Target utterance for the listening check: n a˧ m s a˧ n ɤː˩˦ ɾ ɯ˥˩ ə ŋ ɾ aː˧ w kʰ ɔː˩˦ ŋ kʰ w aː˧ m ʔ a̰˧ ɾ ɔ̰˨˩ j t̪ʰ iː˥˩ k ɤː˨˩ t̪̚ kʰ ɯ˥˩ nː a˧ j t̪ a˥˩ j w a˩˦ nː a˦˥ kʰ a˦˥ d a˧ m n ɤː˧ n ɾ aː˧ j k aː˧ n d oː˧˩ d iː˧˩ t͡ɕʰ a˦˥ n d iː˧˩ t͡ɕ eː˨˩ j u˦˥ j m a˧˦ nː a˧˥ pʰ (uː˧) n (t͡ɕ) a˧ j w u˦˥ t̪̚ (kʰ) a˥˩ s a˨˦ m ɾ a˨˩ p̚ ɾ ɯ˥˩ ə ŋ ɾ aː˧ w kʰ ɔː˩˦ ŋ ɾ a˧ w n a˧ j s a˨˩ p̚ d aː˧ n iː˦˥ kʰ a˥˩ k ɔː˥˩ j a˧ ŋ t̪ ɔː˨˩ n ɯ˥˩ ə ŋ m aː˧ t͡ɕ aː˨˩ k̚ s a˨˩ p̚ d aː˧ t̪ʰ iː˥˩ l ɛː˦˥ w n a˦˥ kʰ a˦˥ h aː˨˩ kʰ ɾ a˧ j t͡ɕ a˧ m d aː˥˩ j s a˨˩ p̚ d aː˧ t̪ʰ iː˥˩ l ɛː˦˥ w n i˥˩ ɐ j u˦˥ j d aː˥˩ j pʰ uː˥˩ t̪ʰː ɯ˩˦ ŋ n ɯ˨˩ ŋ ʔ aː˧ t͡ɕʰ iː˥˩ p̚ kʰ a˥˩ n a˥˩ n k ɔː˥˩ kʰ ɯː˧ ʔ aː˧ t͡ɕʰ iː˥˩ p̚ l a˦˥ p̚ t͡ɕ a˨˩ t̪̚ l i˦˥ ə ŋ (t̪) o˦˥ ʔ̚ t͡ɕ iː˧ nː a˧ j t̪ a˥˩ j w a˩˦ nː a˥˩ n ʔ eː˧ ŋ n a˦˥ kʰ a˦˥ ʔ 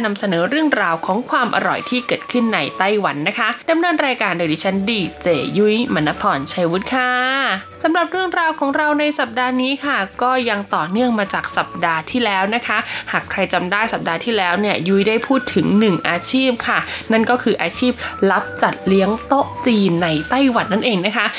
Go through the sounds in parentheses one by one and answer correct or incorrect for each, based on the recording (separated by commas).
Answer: incorrect, incorrect, correct, correct